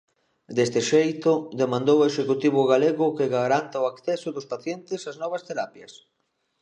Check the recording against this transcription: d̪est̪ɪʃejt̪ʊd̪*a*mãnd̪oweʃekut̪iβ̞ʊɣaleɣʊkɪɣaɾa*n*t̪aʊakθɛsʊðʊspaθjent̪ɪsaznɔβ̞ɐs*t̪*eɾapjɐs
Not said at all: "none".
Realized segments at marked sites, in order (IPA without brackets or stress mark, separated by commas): e, n, t̪